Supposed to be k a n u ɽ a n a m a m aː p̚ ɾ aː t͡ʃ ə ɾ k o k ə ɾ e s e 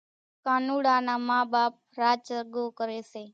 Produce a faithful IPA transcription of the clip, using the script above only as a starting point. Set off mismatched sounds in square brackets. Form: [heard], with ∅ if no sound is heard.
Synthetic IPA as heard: k a n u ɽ a n a m a [b] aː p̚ ɾ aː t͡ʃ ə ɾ [ɡ] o k ə ɾ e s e

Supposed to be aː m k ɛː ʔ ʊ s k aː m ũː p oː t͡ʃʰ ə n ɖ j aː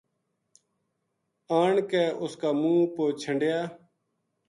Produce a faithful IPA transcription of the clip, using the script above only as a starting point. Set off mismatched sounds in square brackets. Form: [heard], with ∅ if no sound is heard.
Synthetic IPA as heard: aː [ɳ] k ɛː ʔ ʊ s k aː m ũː p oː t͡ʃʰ ə [ɳ] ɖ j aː

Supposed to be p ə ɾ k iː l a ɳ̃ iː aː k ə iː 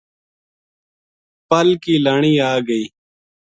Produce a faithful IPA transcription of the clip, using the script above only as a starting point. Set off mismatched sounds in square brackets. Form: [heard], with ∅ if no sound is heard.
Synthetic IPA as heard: p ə [l] k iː l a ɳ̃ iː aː [ɡ] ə iː

